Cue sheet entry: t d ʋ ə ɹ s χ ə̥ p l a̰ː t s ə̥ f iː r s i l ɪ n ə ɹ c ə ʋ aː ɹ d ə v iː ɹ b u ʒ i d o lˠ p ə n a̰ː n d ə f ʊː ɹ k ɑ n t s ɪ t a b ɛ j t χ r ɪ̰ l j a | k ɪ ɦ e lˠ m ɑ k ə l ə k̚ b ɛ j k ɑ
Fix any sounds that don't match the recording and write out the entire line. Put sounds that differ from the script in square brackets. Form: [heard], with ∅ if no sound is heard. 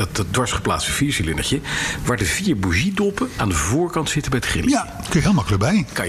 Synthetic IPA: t d ʋ [ɑ] ɹ s χ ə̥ p l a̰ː t s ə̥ f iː [ɹ] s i l ɪ n ə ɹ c ə ʋ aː ɹ d ə v iː ɹ b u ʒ i d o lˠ p ə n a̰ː n d ə [v] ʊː ɹ k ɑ n t s ɪ t [ə] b ɛ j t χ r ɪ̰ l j a | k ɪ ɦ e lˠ m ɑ k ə l ə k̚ b ɛ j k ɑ